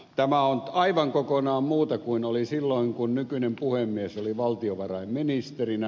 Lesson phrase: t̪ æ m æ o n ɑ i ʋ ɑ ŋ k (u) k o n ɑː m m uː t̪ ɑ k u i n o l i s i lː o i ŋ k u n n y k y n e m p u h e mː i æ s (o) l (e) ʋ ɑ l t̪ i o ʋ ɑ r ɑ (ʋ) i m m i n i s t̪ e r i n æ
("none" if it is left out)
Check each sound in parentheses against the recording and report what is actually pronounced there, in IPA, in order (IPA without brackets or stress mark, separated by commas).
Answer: o, o, i, none